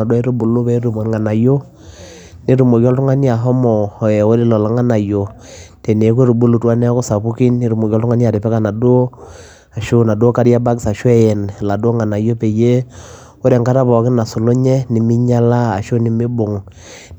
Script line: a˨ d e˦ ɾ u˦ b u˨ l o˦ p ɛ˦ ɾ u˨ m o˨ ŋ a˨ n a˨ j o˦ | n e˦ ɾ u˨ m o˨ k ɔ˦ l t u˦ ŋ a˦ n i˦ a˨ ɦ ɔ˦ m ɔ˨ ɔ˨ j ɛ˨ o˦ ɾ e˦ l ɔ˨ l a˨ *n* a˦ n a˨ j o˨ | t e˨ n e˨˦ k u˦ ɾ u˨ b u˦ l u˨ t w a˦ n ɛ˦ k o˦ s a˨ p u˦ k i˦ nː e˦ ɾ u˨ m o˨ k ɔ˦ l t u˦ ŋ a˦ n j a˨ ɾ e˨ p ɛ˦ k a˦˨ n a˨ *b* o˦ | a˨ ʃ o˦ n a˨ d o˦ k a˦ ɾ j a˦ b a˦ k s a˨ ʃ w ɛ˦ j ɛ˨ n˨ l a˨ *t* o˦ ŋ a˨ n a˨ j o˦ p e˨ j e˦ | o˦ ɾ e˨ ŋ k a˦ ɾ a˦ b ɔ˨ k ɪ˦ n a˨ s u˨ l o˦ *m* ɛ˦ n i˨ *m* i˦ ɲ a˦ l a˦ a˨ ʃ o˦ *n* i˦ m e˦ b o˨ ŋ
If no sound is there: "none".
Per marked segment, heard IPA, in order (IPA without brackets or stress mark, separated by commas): ŋ, d, d, ɲ, m, n